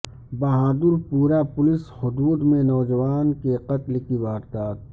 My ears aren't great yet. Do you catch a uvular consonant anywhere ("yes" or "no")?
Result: yes